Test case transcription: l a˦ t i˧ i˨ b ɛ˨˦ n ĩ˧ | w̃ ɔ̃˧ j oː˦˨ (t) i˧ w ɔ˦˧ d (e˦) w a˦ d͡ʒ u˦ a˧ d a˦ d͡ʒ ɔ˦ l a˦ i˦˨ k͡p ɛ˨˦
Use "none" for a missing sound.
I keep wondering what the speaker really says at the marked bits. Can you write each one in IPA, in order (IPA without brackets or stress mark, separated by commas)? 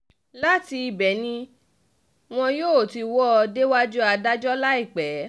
t, e˦